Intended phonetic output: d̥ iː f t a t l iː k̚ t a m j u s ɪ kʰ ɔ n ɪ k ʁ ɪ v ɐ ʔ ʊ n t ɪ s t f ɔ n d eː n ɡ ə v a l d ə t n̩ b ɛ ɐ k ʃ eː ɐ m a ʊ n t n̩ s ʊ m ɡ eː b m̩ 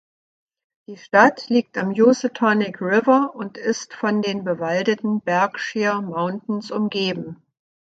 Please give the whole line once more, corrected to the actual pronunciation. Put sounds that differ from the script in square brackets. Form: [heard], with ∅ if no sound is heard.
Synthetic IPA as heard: d̥ iː [ʃ] t a t l iː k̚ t a m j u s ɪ [tʰ] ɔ n ɪ k ʁ ɪ v ɐ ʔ ʊ n t ɪ s t f ɔ n d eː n [b] ə v a l d ə t n̩ b ɛ ɐ k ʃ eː ɐ m a ʊ n t n̩ s ʊ m ɡ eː b m̩